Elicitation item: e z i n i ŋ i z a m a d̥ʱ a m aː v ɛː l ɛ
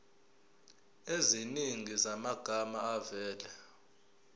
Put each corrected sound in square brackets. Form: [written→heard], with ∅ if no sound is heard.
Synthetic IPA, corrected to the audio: e z i n i ŋ i z a m a [d̥ʱ→ɡ̥ʱ] a m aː v ɛː l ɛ